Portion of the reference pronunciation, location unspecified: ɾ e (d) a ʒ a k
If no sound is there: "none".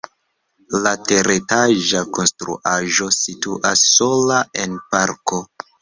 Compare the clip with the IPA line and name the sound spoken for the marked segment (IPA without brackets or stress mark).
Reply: t